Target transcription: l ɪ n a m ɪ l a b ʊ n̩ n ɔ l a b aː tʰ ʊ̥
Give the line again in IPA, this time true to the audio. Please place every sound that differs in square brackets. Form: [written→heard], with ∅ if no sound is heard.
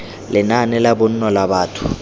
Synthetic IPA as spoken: l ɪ n a [m→n] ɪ l a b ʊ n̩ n ɔ l a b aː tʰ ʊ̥